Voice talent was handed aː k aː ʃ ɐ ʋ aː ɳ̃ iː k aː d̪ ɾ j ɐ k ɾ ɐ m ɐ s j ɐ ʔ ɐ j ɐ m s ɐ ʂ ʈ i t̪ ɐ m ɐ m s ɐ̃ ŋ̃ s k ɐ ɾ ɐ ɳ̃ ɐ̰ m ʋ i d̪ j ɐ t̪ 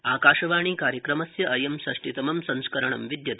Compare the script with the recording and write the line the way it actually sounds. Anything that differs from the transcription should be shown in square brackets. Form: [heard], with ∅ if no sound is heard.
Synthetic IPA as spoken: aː k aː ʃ ɐ ʋ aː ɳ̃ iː k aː [∅] ɾ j ɐ k ɾ ɐ m ɐ s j ɐ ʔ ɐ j ɐ m s ɐ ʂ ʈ i t̪ ɐ m ɐ m s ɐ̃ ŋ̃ s k ɐ ɾ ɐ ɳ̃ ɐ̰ m ʋ i d̪ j ɐ t̪